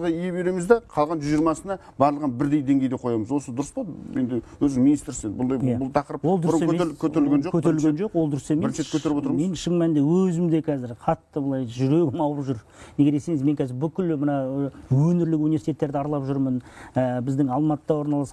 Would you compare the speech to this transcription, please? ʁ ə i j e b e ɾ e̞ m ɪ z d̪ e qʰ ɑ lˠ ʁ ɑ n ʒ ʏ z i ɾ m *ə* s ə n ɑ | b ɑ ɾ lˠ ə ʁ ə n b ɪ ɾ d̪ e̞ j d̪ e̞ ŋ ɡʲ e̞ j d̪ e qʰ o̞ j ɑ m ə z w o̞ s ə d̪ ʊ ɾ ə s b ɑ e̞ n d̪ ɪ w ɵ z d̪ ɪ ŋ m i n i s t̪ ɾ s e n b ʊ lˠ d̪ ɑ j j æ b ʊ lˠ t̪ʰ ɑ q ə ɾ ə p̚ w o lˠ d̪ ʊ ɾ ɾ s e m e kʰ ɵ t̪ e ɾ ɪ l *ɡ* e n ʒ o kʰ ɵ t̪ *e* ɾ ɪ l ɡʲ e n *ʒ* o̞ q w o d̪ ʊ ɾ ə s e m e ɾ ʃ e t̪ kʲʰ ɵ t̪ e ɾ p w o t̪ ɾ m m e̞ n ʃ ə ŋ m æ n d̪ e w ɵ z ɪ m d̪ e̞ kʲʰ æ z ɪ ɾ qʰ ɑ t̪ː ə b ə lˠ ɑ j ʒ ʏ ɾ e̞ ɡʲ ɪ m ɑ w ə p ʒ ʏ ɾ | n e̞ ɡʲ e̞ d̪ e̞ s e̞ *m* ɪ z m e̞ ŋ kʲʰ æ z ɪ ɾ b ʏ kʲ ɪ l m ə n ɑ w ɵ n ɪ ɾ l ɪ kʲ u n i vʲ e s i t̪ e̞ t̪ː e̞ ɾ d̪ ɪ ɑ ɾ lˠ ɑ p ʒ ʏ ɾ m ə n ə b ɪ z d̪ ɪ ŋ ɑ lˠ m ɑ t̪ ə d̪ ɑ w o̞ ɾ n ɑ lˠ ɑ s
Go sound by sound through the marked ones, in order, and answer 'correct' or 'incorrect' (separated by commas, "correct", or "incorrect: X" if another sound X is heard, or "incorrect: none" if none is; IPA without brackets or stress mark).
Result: incorrect: ɑ, correct, correct, correct, incorrect: ŋ